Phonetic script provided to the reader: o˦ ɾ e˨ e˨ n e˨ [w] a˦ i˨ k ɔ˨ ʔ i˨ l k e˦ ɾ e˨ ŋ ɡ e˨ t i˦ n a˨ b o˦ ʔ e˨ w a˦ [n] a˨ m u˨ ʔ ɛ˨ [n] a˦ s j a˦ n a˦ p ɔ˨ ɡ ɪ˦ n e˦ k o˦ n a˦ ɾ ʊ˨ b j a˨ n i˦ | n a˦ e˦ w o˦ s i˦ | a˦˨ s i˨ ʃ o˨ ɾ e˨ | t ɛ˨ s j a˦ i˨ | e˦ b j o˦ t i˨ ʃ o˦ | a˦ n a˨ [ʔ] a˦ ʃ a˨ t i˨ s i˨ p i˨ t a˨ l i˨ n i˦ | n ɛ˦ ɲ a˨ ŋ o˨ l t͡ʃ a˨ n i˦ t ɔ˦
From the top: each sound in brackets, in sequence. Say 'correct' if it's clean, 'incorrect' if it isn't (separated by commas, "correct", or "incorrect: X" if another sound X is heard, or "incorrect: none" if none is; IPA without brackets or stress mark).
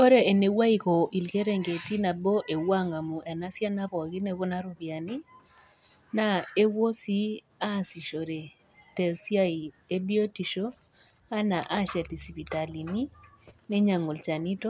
correct, incorrect: ŋ, correct, correct